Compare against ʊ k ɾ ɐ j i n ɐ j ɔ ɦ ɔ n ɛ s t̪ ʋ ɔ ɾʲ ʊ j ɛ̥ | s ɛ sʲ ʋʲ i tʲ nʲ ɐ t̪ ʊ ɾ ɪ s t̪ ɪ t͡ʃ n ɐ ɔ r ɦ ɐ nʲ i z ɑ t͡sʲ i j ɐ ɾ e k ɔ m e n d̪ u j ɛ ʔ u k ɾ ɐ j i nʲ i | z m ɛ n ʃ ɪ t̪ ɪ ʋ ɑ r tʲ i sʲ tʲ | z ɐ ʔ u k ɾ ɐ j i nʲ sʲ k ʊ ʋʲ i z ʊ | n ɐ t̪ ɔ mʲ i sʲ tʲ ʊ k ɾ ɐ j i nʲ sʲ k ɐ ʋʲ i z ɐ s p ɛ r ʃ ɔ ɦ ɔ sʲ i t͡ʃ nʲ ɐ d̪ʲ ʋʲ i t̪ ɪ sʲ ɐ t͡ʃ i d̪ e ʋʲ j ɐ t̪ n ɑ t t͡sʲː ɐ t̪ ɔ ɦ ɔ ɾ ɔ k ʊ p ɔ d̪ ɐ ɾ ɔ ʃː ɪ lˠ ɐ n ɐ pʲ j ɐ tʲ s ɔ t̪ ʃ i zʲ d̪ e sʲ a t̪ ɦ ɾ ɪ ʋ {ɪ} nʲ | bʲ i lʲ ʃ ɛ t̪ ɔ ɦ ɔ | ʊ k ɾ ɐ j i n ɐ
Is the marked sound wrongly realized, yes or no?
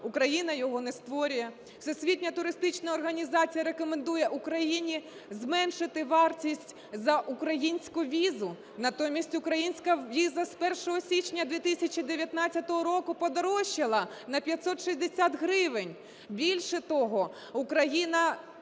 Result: no